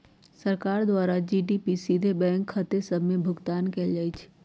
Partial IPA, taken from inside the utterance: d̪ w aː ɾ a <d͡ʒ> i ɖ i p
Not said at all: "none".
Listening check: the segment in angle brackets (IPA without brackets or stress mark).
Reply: d͡ʒ